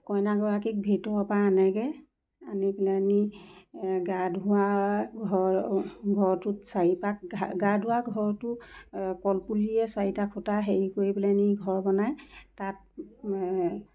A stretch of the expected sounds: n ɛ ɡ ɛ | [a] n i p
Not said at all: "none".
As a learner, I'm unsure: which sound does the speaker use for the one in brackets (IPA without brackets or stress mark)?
a